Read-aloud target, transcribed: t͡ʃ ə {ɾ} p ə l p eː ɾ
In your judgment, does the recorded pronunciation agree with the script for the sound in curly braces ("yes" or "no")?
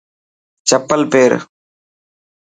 no